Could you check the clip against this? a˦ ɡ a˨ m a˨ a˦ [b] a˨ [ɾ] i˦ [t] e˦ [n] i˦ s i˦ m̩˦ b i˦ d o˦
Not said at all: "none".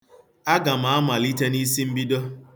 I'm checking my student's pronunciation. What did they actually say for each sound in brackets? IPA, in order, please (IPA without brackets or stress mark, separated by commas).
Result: m, l, t, n